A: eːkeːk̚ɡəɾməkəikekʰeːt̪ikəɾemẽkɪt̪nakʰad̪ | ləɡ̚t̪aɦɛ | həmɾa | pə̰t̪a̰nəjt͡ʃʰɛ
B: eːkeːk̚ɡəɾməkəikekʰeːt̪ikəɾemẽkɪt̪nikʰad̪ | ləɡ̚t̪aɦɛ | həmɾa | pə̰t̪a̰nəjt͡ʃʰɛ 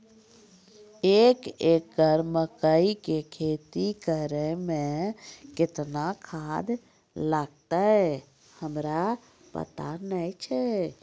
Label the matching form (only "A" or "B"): A